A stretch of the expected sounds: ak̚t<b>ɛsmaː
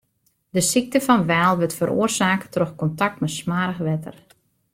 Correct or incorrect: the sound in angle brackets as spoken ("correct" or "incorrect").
incorrect